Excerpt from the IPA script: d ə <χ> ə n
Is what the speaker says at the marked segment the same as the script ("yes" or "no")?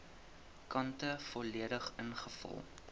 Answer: yes